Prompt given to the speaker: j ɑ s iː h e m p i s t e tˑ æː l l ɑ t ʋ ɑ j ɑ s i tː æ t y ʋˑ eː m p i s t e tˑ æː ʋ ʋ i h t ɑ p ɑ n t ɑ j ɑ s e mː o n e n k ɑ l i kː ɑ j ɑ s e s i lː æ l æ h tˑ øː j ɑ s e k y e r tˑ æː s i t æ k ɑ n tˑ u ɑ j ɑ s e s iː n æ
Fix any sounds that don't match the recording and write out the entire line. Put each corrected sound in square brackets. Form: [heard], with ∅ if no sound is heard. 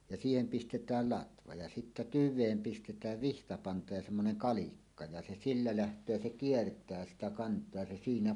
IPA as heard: j ɑ s iː h e m p i s t e tˑ æː l l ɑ t ʋ ɑ j ɑ s i tː æ t y ʋˑ eː m p i s t e tˑ æː ʋ ʋ i h t ɑ p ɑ n t ɑ j ɑ s e mː o n e n k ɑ l i kː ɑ j ɑ s e s i lː æ l æ h tˑ øː j ɑ s e k [i] e r tˑ æː s i t æ k ɑ n tˑ [o] ɑ j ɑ s e s iː n æ